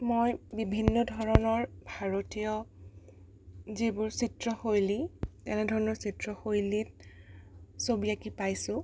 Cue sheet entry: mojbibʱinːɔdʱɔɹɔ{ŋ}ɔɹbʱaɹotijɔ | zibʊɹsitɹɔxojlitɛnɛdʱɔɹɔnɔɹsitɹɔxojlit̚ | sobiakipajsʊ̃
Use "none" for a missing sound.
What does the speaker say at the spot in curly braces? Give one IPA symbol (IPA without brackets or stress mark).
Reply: n